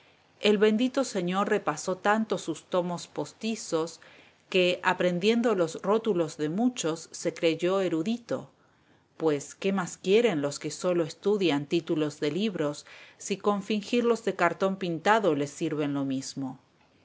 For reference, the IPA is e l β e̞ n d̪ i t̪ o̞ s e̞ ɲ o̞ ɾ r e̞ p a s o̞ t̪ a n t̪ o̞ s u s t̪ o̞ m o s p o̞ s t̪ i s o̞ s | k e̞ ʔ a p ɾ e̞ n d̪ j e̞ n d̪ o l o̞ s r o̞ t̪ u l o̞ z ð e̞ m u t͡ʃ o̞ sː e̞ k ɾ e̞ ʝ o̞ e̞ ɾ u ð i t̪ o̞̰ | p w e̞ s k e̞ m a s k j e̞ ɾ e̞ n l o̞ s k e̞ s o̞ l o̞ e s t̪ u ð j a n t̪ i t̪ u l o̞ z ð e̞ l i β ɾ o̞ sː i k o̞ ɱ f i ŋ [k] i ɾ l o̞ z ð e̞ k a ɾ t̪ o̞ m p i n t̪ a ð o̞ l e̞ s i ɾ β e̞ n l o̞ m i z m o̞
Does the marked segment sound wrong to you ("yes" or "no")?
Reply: yes